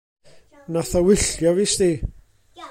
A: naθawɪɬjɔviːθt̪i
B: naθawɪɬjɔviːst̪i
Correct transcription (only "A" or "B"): B